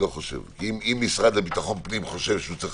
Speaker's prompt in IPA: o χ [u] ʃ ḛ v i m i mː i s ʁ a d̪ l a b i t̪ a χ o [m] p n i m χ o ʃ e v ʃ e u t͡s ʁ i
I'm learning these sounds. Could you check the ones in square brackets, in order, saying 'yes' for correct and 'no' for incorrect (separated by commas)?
no, no